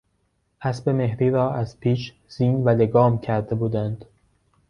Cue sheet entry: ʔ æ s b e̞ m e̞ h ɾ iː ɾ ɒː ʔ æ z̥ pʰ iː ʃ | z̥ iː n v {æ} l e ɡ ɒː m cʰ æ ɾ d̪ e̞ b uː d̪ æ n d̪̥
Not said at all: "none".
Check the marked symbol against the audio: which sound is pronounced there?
æ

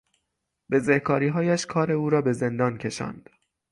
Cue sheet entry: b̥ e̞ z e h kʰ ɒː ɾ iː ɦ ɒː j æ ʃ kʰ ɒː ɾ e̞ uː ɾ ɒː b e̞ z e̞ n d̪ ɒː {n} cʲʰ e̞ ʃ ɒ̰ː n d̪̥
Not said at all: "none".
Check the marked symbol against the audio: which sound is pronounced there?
n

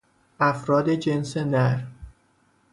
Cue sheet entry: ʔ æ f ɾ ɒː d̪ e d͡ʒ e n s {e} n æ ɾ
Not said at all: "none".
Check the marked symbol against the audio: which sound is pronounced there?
e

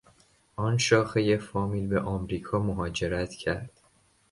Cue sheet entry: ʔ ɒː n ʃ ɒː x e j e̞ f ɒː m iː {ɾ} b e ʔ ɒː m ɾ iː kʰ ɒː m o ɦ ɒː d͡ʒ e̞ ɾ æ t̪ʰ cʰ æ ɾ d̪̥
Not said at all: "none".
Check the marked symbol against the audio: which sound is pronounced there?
l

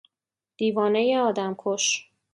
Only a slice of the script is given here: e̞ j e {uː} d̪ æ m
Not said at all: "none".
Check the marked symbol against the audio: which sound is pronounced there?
ɒː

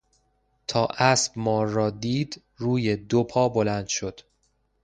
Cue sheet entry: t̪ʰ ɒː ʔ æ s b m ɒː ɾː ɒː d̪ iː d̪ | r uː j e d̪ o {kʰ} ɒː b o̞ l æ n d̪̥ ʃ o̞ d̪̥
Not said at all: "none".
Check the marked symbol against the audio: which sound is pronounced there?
pʰ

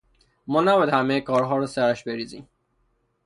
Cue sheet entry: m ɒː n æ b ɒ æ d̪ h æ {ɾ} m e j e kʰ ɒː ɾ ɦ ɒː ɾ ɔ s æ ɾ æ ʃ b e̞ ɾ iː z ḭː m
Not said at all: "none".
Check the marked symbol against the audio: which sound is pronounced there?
none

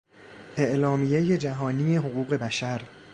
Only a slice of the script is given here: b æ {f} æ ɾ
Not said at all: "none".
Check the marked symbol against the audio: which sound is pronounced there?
ʃ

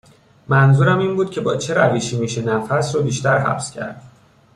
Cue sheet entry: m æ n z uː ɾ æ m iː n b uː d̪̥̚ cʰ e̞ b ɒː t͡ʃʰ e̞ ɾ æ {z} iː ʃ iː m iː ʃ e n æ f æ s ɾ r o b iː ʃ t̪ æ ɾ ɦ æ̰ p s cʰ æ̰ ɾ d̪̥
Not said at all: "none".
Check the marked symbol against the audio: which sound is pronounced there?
v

